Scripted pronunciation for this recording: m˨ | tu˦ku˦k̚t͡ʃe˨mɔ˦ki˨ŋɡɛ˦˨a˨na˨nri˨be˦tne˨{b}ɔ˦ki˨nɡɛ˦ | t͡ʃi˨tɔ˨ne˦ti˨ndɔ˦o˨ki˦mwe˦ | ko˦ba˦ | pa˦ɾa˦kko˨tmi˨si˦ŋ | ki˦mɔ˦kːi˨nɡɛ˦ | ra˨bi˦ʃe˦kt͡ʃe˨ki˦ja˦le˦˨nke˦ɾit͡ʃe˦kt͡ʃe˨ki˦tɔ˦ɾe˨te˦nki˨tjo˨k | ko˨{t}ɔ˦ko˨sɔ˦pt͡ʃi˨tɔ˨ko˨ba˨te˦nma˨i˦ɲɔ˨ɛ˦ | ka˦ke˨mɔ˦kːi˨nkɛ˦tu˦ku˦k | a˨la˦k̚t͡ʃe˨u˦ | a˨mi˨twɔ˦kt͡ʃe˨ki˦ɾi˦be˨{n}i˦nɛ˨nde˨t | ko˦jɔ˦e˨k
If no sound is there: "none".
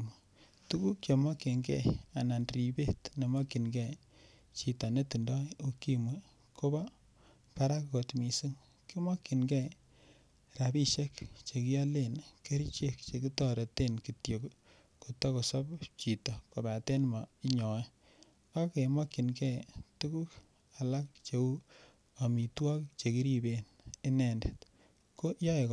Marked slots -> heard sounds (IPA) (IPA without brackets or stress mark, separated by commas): m, t, n